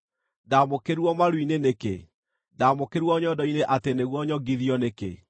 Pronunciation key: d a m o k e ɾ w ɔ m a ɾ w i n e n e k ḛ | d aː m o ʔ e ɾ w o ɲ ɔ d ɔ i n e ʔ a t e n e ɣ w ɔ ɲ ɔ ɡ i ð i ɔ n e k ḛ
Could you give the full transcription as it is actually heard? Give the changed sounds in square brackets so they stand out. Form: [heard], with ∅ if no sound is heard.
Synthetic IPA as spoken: d a m o k e ɾ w ɔ m a ɾ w i n e n e k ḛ | d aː m o [k] e ɾ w [ɔ] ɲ ɔ d ɔ i n e ʔ a t e n e ɣ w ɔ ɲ ɔ ɡ i ð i ɔ n e k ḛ